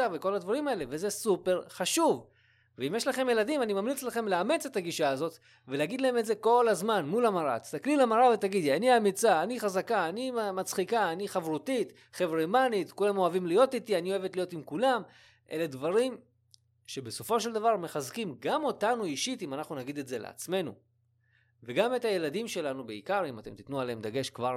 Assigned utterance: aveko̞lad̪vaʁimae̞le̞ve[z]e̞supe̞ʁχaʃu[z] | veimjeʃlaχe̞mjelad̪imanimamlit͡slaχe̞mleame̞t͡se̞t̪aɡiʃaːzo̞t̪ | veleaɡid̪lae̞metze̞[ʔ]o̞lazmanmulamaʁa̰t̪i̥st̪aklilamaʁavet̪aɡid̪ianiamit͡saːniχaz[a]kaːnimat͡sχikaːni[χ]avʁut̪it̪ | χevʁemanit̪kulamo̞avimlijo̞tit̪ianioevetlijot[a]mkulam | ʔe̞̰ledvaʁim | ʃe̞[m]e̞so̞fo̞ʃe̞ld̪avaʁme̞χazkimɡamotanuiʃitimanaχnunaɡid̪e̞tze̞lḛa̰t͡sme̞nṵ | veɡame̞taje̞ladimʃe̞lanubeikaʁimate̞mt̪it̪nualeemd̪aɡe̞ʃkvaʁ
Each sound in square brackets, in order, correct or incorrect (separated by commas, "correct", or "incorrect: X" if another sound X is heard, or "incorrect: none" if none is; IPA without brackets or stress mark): correct, incorrect: v, incorrect: k, correct, correct, incorrect: i, incorrect: b